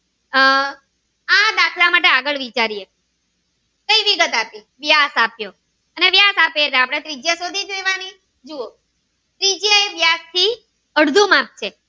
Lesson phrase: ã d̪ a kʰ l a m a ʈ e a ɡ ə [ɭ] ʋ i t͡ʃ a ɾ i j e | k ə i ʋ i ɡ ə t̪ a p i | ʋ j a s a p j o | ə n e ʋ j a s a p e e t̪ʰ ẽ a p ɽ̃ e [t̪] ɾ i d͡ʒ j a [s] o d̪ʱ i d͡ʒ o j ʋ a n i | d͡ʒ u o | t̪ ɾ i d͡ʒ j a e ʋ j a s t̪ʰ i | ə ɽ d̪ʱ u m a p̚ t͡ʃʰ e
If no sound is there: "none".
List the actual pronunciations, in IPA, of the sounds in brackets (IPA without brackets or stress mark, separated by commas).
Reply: ɭ, t̪, s